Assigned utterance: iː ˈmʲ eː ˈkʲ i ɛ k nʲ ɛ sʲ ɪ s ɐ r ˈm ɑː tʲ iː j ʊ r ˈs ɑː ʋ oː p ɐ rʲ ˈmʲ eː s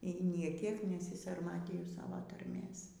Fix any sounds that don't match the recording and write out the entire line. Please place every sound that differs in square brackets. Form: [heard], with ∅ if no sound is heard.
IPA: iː [ˈnʲ] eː ˈkʲ i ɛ k nʲ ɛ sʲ ɪ s ɐ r ˈm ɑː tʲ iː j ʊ [∅] ˈs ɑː ʋ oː [t] ɐ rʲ ˈmʲ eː s